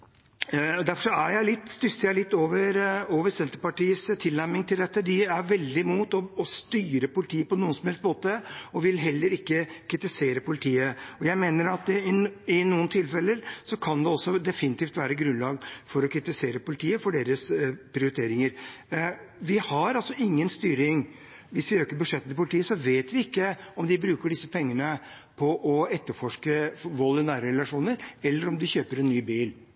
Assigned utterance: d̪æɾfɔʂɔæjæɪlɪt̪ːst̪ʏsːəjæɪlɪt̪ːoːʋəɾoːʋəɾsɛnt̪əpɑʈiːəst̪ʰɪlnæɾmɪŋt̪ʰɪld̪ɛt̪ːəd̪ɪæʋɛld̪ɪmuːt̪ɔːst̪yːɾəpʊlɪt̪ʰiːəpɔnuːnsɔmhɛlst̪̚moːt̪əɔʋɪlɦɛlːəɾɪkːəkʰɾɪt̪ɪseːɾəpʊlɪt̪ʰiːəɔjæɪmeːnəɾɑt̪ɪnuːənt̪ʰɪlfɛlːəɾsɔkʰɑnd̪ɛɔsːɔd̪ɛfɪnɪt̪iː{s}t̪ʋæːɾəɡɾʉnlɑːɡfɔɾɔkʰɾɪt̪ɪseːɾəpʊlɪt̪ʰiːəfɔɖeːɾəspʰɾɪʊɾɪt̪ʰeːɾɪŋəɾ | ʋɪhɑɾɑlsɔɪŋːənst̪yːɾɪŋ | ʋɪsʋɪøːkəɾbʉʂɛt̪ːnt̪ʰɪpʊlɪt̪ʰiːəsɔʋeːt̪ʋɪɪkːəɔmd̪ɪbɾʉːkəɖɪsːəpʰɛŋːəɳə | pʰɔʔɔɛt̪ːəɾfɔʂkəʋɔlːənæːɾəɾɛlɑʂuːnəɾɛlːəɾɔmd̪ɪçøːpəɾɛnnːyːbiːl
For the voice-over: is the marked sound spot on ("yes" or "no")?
no